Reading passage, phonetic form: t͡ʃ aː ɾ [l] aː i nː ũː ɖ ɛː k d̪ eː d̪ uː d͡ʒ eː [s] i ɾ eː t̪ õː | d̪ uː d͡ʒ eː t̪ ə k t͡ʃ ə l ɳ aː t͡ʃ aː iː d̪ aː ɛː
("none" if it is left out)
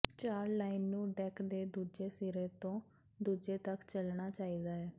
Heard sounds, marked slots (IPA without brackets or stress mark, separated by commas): l, s